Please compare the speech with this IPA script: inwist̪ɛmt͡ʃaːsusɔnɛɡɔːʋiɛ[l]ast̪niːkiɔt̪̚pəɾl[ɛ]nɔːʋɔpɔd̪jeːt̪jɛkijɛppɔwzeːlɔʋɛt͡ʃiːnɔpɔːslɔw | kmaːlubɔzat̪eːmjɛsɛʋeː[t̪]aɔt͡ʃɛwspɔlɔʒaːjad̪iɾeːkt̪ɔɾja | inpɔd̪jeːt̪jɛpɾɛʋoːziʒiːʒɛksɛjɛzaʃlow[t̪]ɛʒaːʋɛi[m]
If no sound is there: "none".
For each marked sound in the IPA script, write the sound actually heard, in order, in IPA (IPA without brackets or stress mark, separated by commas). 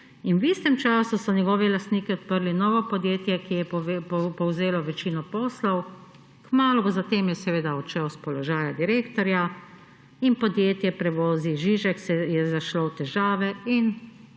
l, i, d̪, t̪, n